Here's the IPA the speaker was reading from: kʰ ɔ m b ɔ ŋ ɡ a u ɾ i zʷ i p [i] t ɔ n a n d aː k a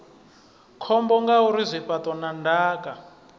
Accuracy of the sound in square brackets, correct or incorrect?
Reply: incorrect